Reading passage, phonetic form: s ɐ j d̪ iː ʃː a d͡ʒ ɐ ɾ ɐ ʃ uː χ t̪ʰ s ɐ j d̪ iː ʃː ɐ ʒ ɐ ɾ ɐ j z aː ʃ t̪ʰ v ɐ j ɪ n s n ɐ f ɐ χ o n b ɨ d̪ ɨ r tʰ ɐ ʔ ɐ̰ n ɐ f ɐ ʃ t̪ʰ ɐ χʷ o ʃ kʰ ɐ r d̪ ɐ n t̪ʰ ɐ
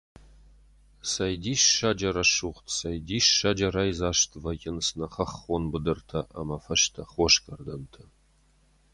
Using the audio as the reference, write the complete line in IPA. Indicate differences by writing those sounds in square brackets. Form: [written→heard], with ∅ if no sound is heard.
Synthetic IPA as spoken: s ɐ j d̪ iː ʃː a d͡ʒ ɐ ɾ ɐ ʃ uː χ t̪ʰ s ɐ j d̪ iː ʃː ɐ [ʒ→d͡ʒ] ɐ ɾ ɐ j z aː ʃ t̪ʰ v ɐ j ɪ n s n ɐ [f→χ] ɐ χ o n b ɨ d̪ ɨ r tʰ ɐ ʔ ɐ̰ [n→m] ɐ f ɐ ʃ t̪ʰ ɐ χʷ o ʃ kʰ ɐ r d̪ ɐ n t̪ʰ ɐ